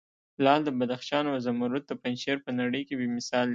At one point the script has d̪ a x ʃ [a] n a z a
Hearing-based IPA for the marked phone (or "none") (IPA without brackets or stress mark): ɑ